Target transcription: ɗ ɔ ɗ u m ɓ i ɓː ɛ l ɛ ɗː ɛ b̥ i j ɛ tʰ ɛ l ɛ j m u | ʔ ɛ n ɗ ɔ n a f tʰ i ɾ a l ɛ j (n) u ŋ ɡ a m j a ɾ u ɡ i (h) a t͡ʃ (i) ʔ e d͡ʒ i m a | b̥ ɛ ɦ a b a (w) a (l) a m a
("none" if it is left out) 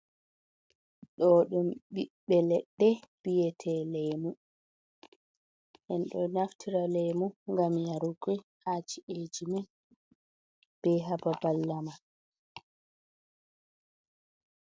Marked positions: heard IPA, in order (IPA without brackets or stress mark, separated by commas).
m, h, i, b, lː